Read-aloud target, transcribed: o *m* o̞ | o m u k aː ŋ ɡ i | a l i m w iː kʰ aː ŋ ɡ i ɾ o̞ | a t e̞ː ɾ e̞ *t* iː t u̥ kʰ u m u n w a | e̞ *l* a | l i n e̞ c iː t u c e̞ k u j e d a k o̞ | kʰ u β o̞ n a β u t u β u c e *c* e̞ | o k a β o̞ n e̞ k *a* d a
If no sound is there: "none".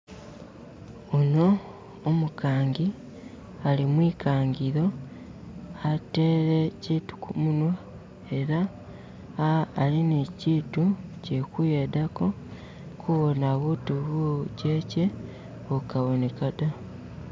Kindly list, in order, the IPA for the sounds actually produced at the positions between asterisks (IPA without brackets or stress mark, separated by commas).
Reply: n, c, ɾ, c, a